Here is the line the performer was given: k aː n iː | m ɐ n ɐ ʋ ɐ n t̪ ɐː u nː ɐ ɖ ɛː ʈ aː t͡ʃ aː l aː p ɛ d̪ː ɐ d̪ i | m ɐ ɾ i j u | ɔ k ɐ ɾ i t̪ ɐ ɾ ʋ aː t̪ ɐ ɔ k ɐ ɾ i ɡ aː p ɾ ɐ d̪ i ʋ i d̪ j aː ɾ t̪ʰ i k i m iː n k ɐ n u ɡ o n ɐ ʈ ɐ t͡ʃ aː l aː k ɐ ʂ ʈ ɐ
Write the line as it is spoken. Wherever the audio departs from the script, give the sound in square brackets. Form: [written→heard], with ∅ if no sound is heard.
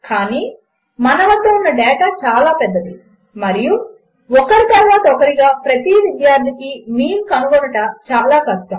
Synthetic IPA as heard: k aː n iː | m ɐ n ɐ ʋ ɐ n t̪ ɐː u nː ɐ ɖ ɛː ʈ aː t͡ʃ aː l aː p ɛ d̪ː ɐ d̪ i | m ɐ ɾ i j u | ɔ k ɐ ɾ i t̪ ɐ ɾ ʋ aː t̪ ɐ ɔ k ɐ ɾ i ɡ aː p ɾ ɐ [d̪→t̪] i ʋ i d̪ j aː ɾ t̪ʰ i k i m iː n k ɐ n u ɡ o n ɐ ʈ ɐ t͡ʃ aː l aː k ɐ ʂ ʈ ɐ